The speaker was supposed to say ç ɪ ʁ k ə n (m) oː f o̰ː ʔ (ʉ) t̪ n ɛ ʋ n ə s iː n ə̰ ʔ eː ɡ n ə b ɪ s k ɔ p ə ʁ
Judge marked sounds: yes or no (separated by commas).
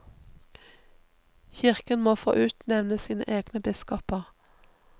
yes, no